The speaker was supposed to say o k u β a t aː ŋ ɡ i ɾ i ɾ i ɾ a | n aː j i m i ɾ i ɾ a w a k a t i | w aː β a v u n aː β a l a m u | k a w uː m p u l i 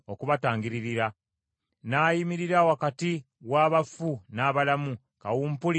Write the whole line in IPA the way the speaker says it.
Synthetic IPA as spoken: o k u β a t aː ŋ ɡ i ɾ i ɾ i ɾ a | n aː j i m i ɾ i ɾ a w a k a t i | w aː β a f u n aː β a l a m u | k a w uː m p u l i